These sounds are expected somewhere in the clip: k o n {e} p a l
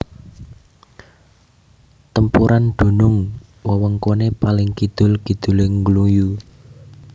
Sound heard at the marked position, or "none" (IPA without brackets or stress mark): e